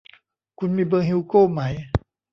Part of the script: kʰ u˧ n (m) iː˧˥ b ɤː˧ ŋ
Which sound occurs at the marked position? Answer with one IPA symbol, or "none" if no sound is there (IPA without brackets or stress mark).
m